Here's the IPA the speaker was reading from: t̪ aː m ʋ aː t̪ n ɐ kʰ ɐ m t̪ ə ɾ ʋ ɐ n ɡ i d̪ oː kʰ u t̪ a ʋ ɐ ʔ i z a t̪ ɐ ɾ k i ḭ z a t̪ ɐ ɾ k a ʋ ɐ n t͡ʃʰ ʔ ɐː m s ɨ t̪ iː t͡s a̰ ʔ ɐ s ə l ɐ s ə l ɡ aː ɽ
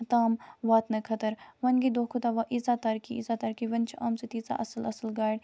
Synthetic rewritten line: t̪ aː m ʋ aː t̪ n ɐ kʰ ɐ t̪ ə ɾ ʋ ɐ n ɡ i d̪ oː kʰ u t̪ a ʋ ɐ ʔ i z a t̪ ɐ ɾ k i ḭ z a t̪ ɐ ɾ k i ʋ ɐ n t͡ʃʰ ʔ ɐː m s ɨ t̪ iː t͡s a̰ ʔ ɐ s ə l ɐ s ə l ɡ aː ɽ